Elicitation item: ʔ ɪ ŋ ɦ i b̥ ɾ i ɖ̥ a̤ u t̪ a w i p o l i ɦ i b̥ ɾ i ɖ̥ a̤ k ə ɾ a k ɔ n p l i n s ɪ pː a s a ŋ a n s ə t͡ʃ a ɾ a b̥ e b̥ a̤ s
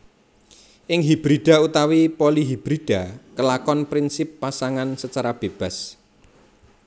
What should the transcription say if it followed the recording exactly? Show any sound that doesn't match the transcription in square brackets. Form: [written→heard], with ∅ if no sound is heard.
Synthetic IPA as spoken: ʔ ɪ ŋ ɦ i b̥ ɾ i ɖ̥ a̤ u t̪ a w i p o l i ɦ i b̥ ɾ i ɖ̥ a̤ k ə [ɾ→l] a k ɔ n p [l→ɾ] i n s ɪ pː a s a ŋ a n s ə t͡ʃ a ɾ a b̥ e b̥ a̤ s

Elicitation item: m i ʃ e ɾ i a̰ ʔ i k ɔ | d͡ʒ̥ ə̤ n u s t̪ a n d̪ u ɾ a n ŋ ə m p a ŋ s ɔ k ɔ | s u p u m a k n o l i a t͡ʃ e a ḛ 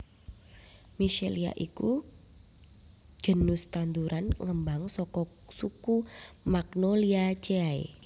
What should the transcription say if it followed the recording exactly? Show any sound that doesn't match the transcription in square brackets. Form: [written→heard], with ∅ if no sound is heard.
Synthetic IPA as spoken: m i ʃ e [ɾ→l] i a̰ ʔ i k [ɔ→u] | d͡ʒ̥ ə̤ n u s t̪ a n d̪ u ɾ a n ŋ ə m [p→b] a ŋ s ɔ k ɔ | s u [p→k] u m a k n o l i a t͡ʃ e a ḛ

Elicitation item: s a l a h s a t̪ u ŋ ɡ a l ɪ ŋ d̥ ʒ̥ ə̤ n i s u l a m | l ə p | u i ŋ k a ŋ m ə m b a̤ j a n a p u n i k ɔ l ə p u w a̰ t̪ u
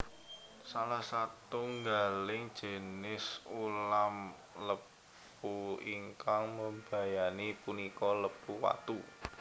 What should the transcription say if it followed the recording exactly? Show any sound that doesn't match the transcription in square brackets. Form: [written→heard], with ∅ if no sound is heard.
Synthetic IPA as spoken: s a l a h s a t̪ u ŋ ɡ a l ɪ ŋ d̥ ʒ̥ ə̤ n [i→ɪ] s u l a m | l ə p | u i ŋ k a ŋ m ə m b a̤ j a n [a→i] p u n i k ɔ l ə p u w a̰ t̪ u

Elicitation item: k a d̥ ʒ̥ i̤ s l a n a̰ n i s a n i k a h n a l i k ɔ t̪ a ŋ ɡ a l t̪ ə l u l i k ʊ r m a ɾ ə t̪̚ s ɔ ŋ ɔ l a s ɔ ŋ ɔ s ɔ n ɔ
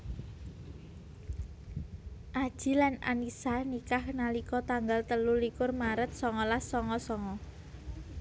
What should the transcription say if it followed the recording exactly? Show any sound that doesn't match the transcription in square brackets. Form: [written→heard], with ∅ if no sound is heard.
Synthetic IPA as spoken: [k→ʔ] a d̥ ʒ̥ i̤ [s→∅] l a n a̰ n i s a n i k a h n a l i k ɔ t̪ a ŋ ɡ a l t̪ ə l u l i k ʊ r m a ɾ ə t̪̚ s ɔ ŋ ɔ l a s ɔ ŋ ɔ s ɔ [n→ŋ] ɔ

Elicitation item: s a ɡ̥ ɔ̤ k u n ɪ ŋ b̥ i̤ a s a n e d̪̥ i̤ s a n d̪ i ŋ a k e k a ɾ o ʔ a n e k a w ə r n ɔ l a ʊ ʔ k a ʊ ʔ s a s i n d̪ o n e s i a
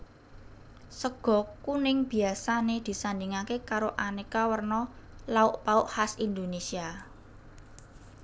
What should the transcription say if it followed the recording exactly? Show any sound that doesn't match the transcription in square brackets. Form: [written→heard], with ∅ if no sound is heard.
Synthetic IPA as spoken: s [a→ə] ɡ̥ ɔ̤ k u n ɪ ŋ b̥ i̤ a s a n e d̪̥ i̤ s a n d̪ i ŋ a k e k a ɾ o ʔ a n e k a w ə r n ɔ l a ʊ ʔ [k→p] a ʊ ʔ [s→h] a s i n d̪ o n e s i a

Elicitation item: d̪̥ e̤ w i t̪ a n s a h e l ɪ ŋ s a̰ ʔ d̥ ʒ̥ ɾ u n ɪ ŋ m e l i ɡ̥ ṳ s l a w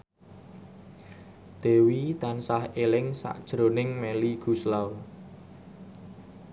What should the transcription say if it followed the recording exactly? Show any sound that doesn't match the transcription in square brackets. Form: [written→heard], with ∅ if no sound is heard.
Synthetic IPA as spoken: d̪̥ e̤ w i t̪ a n s a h e l ɪ ŋ s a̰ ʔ d̥ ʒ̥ ɾ [u→o] n ɪ ŋ m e l i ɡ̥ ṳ s l a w

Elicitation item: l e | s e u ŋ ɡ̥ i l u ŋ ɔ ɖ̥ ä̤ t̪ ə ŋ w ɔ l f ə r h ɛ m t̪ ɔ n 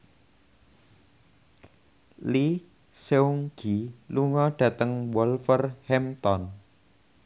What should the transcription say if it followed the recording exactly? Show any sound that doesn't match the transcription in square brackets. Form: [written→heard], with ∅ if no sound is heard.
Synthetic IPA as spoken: l [e→i] | s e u ŋ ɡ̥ i l u ŋ ɔ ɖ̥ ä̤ t̪ ə ŋ w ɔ l f ə r h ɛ m t̪ ɔ n

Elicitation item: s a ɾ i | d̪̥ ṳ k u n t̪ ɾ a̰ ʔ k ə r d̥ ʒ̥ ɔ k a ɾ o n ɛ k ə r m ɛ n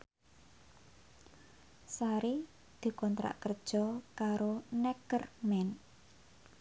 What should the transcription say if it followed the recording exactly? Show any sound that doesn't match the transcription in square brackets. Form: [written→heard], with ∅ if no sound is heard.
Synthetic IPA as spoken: s a ɾ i | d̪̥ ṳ k [u→ɔ] n t̪ ɾ a̰ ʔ k ə r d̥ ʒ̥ ɔ k a ɾ o n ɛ k ə r m ɛ n

